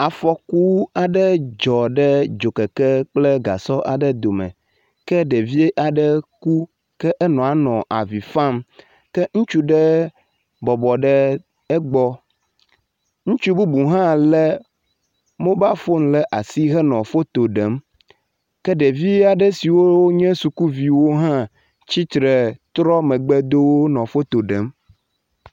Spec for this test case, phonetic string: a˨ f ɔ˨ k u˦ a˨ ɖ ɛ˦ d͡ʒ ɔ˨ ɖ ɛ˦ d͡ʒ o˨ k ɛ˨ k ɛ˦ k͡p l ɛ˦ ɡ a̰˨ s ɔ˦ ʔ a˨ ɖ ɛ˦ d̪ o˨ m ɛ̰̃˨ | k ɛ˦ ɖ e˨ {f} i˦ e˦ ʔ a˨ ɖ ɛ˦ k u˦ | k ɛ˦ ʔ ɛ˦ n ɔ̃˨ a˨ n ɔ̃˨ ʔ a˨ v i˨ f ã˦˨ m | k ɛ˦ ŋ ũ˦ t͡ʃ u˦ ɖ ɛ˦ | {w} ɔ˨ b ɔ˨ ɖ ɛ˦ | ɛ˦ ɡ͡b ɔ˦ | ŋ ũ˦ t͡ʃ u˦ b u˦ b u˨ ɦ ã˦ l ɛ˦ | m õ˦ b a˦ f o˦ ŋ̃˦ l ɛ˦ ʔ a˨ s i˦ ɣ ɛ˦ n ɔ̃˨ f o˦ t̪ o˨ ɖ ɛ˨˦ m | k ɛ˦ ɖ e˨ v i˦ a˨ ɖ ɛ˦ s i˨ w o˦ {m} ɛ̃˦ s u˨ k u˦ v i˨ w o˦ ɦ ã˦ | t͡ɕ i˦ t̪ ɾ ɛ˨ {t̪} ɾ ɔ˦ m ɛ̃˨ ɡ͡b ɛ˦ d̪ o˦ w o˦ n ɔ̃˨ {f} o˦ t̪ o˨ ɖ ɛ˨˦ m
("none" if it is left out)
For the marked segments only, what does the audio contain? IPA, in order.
v, b, ɲ, t̪, f

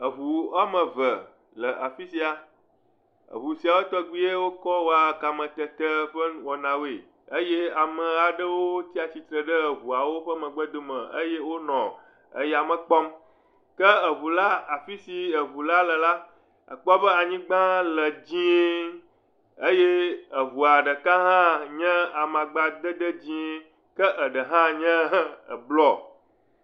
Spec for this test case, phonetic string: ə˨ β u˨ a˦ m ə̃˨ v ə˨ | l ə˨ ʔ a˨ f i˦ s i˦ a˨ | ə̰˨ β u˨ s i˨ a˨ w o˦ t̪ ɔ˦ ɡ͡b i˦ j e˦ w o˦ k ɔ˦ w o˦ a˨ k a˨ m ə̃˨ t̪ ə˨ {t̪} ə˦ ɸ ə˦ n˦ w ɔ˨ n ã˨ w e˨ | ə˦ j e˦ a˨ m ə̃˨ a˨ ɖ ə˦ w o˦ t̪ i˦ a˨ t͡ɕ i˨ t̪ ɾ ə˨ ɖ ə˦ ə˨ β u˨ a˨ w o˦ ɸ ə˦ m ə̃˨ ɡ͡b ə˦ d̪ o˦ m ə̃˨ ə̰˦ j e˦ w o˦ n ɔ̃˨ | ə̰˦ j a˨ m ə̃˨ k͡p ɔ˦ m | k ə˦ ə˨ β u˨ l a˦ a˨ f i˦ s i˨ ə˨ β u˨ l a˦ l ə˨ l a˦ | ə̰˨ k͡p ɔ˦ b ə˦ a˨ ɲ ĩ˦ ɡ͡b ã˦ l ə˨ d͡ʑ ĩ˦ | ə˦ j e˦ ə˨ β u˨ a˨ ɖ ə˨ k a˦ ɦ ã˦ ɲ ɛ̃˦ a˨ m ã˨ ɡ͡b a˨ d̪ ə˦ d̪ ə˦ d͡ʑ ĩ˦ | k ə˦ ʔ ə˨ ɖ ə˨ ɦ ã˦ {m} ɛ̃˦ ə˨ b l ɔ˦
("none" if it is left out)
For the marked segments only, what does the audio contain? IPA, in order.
t̪, ɲ

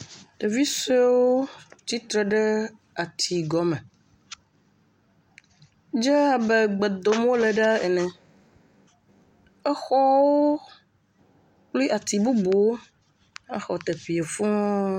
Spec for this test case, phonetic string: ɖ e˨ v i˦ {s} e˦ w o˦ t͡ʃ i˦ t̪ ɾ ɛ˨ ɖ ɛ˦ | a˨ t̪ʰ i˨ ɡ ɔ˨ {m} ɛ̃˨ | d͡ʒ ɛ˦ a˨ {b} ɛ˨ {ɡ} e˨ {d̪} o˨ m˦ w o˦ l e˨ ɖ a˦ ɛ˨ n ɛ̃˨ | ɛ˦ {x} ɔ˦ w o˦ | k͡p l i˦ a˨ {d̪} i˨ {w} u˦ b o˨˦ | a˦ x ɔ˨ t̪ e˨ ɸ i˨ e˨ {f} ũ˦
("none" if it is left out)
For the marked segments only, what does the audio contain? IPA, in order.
s, m, b, ɡ͡b, d̪, x, t̪, b, f

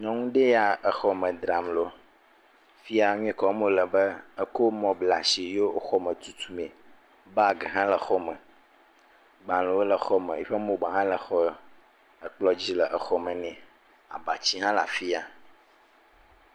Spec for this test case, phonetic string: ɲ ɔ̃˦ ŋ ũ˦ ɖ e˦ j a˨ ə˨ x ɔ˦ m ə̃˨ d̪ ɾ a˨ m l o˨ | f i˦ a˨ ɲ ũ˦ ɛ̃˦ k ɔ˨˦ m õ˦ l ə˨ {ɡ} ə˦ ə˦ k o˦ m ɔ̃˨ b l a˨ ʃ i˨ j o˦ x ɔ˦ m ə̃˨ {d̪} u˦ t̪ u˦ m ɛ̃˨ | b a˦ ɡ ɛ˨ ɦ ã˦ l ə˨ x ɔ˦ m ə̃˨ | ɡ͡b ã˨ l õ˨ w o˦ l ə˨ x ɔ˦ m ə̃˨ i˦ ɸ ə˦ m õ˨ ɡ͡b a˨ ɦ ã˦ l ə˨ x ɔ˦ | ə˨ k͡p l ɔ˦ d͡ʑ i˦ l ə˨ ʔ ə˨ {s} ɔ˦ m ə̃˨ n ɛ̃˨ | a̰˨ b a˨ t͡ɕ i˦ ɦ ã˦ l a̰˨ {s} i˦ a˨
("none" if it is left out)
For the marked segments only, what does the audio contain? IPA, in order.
b, t̪, x, f

